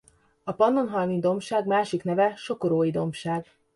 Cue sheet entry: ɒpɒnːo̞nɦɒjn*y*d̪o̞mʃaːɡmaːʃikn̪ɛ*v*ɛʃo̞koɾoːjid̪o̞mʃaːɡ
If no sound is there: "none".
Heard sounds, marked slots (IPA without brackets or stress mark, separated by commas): i, v